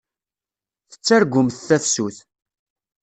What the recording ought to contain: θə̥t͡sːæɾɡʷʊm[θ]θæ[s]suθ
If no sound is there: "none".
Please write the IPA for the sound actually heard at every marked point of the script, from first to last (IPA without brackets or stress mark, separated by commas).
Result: θ, f